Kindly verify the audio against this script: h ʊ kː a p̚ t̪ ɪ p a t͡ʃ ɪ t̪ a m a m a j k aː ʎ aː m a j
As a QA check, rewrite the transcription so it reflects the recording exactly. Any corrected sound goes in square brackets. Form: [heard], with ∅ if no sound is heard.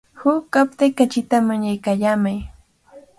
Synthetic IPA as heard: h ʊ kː a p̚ t̪ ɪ [k] a t͡ʃ ɪ t̪ a m a [ɲ] a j k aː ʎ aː m a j